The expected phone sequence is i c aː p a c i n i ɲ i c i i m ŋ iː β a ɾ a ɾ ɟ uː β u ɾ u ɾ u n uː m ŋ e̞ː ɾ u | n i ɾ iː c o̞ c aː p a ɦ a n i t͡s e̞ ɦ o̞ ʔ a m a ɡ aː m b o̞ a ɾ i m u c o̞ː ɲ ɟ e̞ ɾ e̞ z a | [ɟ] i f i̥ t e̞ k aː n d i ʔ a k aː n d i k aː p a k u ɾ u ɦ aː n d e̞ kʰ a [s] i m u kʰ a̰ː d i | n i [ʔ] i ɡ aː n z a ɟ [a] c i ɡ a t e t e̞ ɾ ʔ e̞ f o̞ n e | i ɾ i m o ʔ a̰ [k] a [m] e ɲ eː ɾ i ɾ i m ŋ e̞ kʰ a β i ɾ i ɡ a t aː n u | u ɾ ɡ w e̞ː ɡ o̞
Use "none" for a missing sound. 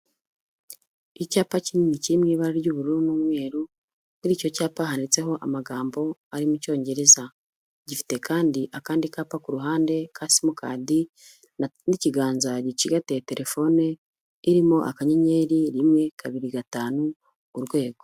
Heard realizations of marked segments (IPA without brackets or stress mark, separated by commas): ɟ, s, c, i, k, ɲ